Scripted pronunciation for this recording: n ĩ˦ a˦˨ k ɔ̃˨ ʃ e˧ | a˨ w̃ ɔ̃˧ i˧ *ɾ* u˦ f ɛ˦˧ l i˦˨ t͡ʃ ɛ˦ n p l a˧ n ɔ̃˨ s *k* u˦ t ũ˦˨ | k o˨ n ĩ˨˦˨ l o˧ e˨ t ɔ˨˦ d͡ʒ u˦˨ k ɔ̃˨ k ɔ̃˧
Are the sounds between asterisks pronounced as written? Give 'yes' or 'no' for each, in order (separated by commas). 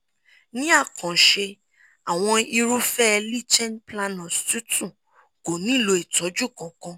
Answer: yes, no